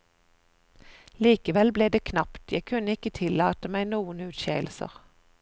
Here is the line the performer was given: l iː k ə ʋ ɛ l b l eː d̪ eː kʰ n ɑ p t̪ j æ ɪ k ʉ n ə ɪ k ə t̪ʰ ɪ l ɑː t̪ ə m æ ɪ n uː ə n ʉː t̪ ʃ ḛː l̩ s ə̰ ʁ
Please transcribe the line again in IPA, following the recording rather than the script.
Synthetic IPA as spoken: l iː k ə ʋ ɛ l b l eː d̪ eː kʰ n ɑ p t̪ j æ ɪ kʰ ʉ n ə ɪ k ə t̪ʰ ɪ l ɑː t̪ ə m æ ɪ n uː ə n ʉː t̪ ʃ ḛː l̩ s ə̰ ʁ